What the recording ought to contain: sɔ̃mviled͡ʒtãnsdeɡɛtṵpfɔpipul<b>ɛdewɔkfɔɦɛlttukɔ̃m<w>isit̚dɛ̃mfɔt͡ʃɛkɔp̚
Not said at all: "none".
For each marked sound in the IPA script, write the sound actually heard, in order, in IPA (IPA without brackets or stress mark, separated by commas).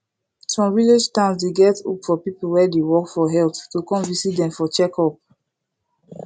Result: w, v